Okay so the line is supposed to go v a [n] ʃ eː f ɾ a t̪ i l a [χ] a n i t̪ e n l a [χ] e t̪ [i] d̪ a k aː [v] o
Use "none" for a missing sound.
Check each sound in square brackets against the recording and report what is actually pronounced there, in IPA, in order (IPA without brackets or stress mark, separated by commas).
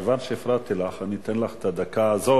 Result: n, χ, χ, a, z